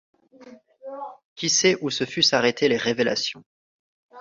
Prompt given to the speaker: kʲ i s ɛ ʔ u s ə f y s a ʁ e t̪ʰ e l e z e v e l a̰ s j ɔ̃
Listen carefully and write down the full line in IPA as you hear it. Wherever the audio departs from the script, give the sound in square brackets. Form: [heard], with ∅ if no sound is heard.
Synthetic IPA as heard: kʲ i s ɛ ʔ u s ə f y s a ʁ e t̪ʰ e l e [ʁ] e v e l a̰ s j ɔ̃